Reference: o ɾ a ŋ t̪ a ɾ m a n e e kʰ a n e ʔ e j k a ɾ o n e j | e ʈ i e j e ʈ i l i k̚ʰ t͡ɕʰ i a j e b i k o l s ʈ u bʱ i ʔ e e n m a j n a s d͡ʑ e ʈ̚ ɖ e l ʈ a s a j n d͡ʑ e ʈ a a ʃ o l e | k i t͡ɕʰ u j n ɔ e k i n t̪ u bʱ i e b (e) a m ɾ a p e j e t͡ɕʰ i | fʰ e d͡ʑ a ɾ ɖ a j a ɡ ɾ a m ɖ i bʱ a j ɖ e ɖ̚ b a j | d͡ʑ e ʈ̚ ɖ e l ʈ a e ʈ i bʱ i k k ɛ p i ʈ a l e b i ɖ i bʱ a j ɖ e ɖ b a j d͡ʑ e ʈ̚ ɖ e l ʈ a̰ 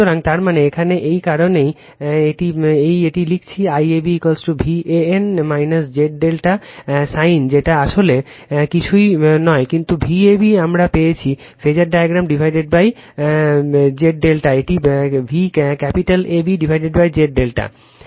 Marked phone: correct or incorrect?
incorrect